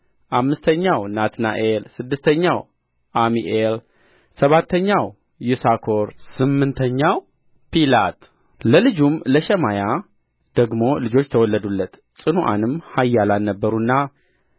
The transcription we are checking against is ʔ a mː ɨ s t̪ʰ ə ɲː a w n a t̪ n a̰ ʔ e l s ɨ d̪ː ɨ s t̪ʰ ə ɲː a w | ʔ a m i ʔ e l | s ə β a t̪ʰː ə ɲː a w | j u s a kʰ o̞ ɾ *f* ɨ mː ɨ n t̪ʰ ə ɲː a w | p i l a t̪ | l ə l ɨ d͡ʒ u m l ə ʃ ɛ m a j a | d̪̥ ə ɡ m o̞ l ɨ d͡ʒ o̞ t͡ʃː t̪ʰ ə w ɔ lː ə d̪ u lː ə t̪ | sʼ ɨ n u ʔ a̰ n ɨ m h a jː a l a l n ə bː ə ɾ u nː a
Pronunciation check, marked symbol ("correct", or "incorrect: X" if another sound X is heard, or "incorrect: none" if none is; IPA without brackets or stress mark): incorrect: s